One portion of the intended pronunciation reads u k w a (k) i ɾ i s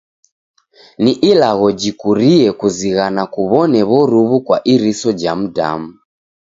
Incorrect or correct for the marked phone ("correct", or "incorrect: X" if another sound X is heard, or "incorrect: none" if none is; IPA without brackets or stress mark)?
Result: incorrect: ʔ